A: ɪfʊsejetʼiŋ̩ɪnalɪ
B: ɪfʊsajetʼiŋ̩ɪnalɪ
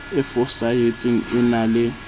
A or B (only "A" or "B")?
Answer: B